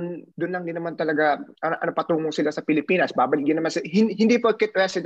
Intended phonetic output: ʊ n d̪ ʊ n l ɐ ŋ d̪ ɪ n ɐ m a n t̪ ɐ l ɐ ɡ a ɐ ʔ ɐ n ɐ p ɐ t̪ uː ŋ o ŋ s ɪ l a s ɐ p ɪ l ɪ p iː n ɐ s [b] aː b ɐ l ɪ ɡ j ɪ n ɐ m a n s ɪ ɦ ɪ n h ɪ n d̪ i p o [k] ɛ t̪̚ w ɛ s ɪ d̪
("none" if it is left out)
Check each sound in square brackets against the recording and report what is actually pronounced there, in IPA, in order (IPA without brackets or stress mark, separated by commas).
b, k